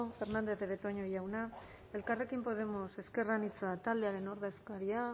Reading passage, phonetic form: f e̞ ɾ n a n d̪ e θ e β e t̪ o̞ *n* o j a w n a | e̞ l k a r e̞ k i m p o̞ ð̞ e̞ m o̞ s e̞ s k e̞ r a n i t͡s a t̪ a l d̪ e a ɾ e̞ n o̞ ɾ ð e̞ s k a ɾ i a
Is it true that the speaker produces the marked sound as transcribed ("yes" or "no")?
no